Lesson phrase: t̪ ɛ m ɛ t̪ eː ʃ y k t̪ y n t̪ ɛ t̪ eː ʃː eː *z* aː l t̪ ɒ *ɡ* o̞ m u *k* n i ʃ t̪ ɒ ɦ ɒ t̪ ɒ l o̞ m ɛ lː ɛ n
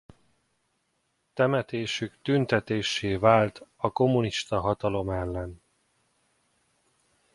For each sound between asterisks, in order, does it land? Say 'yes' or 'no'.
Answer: no, no, no

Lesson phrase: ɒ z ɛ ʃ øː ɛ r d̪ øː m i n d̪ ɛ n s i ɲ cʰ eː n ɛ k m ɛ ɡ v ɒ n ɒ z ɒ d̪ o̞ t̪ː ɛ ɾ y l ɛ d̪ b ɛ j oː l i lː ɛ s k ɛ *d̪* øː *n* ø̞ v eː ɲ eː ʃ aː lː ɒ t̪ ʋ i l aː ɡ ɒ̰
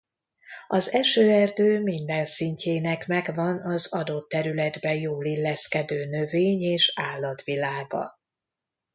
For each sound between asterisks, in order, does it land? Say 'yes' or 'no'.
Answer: yes, yes

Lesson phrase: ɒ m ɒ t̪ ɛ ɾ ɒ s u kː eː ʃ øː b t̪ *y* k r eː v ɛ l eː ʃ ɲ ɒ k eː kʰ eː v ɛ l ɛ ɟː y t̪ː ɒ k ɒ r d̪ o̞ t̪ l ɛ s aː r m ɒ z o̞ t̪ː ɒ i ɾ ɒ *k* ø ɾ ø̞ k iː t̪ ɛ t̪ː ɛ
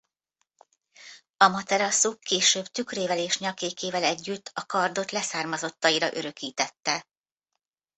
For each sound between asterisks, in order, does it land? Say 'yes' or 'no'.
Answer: yes, no

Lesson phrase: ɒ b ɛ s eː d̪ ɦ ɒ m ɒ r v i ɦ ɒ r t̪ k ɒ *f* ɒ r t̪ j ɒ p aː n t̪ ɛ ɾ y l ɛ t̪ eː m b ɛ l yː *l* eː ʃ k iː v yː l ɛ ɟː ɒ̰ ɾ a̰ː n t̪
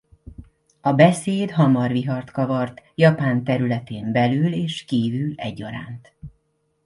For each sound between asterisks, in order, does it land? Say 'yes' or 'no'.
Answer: no, yes

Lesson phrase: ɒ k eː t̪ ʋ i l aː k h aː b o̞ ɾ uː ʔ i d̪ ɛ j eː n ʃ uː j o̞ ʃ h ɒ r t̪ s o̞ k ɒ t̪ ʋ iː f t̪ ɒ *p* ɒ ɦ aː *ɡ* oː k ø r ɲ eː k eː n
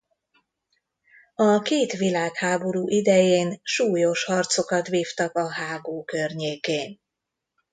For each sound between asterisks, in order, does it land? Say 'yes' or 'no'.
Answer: no, yes

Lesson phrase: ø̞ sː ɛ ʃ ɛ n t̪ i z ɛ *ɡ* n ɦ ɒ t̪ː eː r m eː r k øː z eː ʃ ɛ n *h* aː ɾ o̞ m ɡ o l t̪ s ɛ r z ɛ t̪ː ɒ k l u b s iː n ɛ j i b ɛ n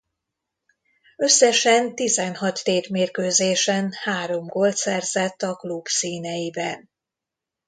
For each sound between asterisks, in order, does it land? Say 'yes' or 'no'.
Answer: no, yes

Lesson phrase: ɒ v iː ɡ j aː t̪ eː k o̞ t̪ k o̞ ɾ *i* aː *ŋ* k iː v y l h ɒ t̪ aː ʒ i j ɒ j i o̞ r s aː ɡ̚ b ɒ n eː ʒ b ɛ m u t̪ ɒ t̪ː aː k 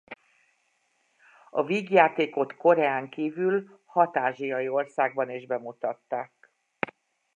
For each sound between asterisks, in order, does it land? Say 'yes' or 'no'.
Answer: no, yes

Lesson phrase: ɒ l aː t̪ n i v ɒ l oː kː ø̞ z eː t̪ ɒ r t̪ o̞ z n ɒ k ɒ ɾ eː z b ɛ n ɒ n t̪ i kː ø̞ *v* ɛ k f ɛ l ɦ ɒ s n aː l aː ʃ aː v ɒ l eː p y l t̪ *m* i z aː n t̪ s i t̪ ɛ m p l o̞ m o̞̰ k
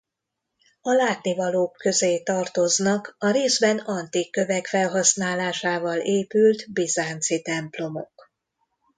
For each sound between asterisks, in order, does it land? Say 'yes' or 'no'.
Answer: yes, no

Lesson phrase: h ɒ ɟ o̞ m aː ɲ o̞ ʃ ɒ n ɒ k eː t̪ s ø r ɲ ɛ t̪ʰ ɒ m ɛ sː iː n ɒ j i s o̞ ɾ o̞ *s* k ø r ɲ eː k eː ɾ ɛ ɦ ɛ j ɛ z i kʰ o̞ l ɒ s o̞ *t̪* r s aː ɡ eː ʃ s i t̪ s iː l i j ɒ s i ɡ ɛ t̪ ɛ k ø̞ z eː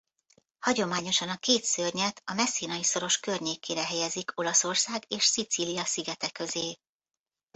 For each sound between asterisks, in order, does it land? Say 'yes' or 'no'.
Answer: no, no

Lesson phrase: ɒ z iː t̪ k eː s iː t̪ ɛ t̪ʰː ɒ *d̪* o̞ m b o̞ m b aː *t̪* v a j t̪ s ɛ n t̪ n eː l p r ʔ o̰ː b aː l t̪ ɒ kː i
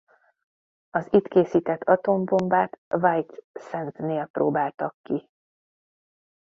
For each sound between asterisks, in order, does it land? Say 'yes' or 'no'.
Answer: no, yes

